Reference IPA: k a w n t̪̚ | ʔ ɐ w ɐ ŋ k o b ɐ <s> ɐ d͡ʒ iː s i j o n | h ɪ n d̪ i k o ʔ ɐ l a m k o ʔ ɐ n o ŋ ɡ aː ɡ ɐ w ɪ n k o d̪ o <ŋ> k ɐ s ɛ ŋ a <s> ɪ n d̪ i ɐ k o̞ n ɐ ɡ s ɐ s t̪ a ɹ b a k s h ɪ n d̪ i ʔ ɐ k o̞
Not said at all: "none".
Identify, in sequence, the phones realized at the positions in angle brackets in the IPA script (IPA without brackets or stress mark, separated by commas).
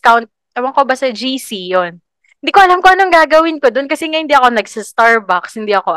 s, n, h